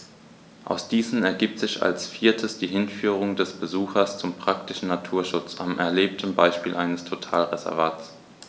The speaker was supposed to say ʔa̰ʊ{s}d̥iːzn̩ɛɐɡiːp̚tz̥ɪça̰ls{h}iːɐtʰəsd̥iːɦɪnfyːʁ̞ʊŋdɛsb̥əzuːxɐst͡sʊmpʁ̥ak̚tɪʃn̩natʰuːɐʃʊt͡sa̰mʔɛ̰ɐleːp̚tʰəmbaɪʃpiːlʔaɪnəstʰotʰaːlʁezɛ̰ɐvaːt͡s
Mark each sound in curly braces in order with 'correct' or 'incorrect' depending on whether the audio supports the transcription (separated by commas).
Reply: correct, incorrect